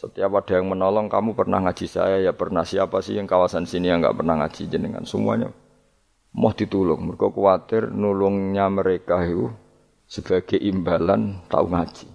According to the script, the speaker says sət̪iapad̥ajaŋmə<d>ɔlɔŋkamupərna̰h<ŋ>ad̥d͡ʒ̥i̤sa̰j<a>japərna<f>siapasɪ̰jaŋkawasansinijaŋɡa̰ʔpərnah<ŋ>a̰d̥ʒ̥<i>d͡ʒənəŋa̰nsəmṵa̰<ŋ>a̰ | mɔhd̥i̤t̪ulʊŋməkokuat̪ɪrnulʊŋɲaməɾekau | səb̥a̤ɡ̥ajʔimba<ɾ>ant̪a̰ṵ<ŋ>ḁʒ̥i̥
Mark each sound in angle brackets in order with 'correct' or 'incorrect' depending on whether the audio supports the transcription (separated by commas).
incorrect, correct, correct, incorrect, correct, correct, incorrect, incorrect, correct